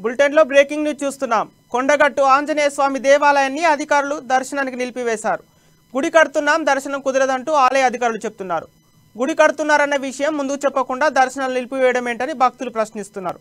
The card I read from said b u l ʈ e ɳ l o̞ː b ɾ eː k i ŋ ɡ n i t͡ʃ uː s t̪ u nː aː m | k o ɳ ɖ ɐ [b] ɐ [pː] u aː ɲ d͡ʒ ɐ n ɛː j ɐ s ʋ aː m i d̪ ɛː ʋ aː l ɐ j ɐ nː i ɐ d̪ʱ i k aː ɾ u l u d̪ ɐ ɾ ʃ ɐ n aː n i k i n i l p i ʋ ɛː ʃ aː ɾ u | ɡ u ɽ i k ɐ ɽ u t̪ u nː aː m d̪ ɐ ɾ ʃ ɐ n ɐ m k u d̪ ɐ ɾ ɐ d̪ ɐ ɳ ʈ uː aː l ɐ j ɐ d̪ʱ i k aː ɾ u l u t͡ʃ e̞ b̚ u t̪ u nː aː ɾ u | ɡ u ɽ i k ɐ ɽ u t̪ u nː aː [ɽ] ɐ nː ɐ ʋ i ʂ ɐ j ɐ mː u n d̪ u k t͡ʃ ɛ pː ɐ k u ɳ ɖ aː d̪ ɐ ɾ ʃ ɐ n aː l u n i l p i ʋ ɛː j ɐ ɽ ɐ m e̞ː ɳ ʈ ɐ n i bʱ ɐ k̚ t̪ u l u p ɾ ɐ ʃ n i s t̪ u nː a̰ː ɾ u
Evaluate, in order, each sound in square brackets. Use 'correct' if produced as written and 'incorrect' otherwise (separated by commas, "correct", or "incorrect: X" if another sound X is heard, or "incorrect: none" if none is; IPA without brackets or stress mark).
incorrect: ɡ, incorrect: ʈː, incorrect: ɾ